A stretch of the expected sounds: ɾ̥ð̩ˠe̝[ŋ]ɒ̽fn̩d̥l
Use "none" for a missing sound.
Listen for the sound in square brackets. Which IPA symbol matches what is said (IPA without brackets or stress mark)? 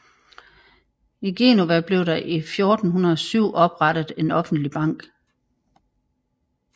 n